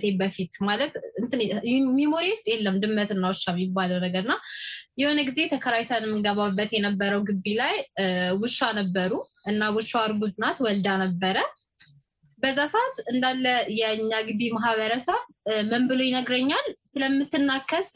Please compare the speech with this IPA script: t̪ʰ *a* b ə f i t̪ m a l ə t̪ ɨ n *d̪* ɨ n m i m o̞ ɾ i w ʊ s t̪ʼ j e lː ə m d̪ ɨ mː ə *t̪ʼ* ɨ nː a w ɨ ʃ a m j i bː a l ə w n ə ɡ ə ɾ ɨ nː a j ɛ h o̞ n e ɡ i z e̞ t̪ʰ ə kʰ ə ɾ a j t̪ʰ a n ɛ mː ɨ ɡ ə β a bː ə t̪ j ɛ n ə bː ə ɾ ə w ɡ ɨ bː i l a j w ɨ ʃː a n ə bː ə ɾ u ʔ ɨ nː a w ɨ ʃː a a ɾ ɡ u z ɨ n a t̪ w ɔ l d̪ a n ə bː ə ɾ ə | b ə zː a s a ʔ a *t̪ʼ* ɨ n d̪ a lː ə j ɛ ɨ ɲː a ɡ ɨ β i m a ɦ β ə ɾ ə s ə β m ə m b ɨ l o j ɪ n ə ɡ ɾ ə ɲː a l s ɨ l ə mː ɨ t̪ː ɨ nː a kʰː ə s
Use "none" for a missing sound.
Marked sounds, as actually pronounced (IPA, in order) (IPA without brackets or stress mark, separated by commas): e, t̪, t̪, t̪